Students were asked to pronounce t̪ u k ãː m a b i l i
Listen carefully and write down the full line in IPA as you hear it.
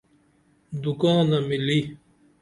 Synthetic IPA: d̪ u k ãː n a m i l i